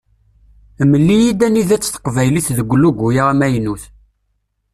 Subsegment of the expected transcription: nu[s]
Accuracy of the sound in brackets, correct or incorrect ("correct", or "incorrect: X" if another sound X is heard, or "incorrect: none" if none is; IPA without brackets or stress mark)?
incorrect: θ